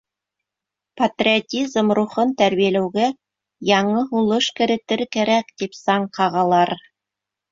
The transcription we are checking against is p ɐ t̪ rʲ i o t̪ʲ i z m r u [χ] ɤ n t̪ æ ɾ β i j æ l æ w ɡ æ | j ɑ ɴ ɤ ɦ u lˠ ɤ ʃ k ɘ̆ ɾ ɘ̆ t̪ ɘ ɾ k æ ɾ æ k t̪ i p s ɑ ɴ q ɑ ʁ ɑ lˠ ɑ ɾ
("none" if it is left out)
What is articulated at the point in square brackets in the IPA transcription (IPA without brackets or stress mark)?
χ